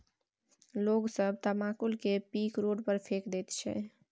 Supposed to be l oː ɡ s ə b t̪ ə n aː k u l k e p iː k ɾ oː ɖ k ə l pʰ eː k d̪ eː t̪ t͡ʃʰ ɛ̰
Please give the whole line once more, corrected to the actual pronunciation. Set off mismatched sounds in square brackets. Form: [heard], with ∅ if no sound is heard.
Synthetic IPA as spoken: l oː ɡ s ə b t̪ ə [m] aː k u l k e p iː k ɾ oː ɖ [p] ə [ɾ] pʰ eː k d̪ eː t̪ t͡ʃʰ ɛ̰